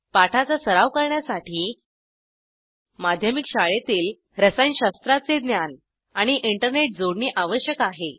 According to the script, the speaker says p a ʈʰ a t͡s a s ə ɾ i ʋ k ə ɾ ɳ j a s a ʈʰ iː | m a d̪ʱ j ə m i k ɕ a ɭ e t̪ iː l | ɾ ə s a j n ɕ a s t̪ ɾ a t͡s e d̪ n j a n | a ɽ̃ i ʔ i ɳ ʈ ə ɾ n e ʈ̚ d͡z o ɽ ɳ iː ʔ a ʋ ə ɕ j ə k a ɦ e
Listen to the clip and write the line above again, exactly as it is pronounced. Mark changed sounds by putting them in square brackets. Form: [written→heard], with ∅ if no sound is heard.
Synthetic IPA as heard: p a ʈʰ a t͡s a s ə ɾ [i→a] ʋ k ə ɾ ɳ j a s a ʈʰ iː | m a d̪ʱ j ə m i k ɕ a ɭ e t̪ iː l | ɾ ə s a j n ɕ a s t̪ ɾ a t͡s e d̪ n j a n | a ɽ̃ i ʔ i ɳ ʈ ə ɾ n e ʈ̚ d͡z o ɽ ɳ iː ʔ a ʋ ə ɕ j ə k a ɦ e